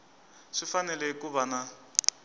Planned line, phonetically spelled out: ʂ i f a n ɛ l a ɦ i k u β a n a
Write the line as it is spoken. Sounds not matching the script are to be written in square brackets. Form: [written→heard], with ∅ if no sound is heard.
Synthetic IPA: ʂ i f a n ɛ l [a→ɛ] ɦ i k u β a n a